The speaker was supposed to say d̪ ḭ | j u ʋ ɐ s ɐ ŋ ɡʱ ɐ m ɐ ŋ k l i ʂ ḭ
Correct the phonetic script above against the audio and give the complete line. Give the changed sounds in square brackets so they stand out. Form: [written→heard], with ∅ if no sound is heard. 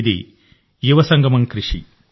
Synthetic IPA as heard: d̪ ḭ | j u ʋ ɐ s ɐ ŋ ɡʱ ɐ m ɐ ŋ k [l→ɾ] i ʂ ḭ